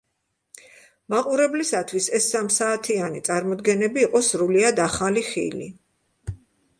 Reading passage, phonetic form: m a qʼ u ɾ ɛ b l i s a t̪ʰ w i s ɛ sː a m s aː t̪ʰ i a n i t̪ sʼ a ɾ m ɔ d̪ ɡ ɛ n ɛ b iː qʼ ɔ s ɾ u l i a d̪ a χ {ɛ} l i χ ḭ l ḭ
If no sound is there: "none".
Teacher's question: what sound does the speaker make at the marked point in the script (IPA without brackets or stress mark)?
a